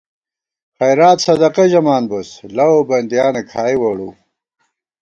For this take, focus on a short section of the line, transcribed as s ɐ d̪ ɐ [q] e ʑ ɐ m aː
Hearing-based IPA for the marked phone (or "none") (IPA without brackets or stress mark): q